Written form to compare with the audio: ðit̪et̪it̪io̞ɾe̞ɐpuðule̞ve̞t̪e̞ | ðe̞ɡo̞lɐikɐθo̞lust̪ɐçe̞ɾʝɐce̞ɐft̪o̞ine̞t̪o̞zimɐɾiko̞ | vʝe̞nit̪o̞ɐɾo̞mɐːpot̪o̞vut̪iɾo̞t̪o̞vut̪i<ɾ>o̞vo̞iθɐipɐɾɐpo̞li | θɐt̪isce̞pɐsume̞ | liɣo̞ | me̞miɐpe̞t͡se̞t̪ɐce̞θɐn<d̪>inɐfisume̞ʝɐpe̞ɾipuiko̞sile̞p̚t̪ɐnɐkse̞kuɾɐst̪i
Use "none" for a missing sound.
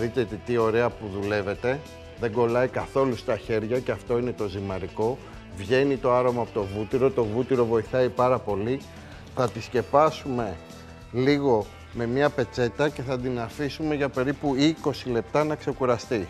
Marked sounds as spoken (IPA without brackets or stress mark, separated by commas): ɾ, d̪